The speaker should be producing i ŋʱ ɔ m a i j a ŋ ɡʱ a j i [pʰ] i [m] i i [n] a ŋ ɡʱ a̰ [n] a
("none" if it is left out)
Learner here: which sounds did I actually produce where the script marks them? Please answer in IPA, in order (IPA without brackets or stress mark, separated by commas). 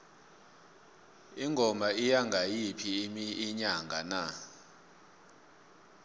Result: pʰ, m, ɲ, n